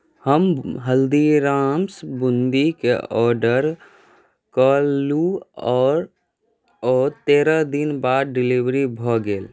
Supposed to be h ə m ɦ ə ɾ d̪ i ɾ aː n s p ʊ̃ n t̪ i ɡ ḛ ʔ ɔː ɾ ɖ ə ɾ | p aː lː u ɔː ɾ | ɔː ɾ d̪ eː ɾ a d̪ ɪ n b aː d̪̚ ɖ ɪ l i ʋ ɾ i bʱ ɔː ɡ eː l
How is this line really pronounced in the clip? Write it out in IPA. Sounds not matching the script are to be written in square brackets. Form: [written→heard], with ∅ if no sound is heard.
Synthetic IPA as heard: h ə m ɦ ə [ɾ→l] d̪ i ɾ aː [n→m] s [p→b] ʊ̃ n [t̪→d̪] i [ɡ→k] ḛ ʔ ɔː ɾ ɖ ə ɾ | [p→k] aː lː u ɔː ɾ | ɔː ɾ [d̪→t̪] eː ɾ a d̪ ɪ n b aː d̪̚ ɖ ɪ l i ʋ ɾ i bʱ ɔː ɡ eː l

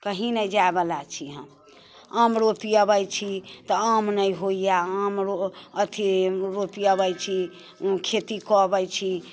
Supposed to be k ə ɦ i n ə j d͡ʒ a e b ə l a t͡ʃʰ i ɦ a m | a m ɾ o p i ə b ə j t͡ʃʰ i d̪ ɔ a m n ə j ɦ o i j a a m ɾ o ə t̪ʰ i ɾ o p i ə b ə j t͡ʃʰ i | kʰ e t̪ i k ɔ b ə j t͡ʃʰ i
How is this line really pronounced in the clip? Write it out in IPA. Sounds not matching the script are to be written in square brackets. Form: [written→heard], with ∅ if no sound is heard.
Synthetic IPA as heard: k ə ɦ i n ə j d͡ʒ a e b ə l a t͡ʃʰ i ɦ [a→ə] m | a m ɾ o p i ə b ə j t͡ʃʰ i [d̪→t̪] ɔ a m n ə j ɦ o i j a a m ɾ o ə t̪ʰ i ɾ o p i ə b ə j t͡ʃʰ i | kʰ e t̪ i k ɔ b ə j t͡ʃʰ i

